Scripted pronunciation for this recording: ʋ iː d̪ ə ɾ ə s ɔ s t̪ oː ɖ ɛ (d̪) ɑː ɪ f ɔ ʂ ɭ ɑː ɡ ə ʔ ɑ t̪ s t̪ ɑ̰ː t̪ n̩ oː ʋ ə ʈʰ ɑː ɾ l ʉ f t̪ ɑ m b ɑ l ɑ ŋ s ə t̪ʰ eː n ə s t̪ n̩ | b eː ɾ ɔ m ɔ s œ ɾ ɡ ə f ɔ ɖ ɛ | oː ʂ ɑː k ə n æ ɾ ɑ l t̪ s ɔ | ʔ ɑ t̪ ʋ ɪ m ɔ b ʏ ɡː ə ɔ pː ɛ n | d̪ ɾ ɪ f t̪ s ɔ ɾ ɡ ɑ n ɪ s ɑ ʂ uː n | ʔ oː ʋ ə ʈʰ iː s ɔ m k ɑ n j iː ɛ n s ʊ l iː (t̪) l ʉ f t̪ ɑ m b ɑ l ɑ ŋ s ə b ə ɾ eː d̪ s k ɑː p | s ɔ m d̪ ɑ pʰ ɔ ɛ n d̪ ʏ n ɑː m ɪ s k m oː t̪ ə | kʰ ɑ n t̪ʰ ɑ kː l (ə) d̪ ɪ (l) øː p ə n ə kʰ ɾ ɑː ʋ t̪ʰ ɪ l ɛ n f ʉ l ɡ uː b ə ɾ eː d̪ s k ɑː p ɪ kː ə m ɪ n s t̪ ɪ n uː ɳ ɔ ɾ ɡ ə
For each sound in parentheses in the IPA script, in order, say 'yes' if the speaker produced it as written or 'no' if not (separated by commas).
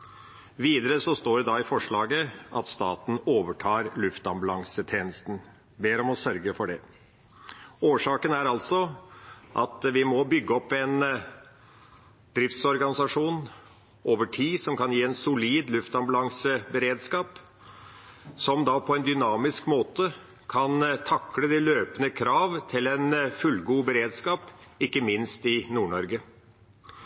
yes, no, yes, yes